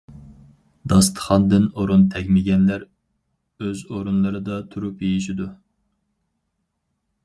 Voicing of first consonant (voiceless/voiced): voiced